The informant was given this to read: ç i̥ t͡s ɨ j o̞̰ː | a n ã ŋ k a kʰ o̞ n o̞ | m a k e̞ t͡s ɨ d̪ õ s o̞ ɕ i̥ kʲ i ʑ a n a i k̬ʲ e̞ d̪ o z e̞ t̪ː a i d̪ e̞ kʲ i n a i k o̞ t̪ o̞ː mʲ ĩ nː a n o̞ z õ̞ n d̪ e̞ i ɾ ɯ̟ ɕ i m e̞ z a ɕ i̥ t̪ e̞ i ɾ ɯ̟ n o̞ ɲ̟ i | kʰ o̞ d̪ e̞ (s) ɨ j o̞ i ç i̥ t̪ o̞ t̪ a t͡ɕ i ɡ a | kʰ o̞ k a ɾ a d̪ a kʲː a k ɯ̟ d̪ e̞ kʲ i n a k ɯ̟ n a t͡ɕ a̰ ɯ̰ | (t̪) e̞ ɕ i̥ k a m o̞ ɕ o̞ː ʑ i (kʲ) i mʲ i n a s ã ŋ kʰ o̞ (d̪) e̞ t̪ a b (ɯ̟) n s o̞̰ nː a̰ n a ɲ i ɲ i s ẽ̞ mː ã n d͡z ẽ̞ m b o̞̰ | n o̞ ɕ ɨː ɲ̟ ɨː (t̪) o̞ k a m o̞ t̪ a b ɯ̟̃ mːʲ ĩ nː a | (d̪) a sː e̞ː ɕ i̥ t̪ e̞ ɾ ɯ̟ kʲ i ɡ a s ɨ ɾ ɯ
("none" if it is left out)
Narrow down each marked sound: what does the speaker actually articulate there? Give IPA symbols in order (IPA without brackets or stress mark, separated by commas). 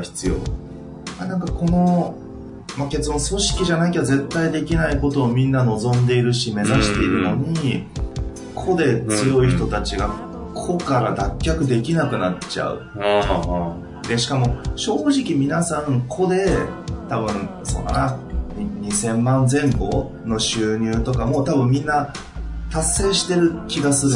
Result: t͡s, d̪, kʲ, d̪, ɯ̟̃, t̪, t̪